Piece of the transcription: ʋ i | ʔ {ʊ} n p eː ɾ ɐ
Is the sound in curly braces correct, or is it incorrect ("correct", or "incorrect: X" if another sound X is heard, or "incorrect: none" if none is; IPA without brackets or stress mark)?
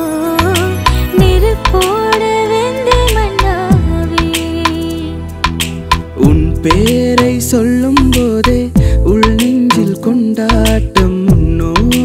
correct